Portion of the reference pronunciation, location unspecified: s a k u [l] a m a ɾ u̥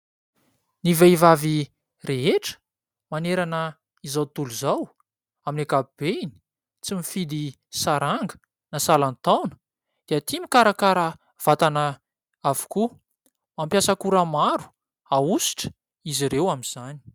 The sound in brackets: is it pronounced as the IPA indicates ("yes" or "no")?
no